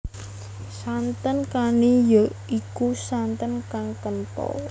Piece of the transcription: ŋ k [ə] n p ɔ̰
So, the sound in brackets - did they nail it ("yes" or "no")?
yes